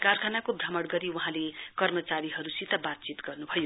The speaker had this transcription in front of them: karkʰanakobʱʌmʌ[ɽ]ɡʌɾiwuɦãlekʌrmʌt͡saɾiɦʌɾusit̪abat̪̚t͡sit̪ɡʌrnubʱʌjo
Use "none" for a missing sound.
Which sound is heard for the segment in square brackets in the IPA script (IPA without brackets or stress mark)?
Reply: ɽ